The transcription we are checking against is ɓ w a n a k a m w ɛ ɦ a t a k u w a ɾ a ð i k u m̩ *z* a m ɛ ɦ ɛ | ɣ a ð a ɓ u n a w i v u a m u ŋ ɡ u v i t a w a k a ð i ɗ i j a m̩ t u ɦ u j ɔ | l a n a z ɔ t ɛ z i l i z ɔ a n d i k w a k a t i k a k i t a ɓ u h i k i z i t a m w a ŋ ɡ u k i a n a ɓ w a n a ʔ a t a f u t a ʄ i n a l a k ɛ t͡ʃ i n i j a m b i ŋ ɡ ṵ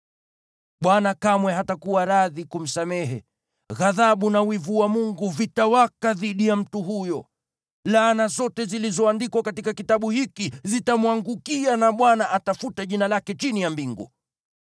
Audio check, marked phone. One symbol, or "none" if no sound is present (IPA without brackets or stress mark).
s